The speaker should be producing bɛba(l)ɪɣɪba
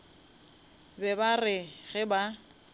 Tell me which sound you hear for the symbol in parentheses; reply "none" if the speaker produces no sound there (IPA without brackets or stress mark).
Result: r